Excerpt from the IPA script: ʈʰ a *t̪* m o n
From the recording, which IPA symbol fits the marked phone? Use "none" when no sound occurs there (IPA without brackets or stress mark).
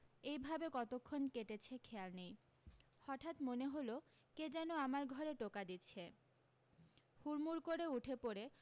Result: t̪